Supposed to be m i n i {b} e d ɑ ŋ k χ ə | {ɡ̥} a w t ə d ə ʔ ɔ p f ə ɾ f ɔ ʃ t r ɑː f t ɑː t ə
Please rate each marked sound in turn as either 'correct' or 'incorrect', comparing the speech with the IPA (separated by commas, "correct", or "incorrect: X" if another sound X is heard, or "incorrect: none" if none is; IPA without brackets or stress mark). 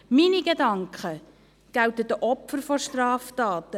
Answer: incorrect: ɡ, correct